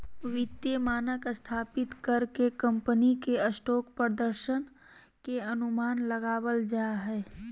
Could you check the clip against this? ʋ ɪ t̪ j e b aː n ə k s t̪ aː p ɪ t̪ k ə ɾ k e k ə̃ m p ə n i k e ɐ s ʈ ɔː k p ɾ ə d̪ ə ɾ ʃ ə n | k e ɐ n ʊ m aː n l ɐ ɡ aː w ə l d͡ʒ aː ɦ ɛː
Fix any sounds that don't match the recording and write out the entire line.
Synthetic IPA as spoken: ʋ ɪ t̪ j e m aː n ə k s t̪ʰ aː p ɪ t̪ k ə ɾ k e k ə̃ m p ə n i k e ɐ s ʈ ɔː k p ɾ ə d̪ ə ɾ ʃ ə n | k e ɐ n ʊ m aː n l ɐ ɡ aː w ə l d͡ʒ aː ɦ ɛː